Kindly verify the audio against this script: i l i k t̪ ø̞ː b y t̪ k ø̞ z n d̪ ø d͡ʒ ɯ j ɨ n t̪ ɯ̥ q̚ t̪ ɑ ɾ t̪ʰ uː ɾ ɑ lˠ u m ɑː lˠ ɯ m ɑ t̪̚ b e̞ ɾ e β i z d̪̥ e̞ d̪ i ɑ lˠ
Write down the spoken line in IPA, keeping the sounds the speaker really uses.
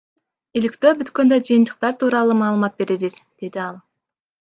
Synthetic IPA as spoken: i l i k t̪ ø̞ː b y t̪ k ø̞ n d̪ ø d͡ʒ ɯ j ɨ n t̪ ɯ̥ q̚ t̪ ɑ ɾ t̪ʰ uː ɾ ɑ lˠ u m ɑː lˠ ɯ m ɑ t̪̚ b e̞ ɾ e β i z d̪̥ e̞ d̪ i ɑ lˠ